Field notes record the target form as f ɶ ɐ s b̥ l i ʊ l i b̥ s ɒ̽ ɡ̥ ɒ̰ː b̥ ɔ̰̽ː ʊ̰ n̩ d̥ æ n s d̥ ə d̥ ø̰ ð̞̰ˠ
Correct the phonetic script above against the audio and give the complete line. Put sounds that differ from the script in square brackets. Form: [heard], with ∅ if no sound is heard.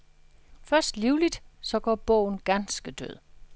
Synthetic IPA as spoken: f ɶ ɐ s [d̥] l i ʊ l i [d̥] s ɒ̽ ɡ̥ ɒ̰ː b̥ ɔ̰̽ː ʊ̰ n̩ [ɡ̥] æ n s [ɡ̥] ə d̥ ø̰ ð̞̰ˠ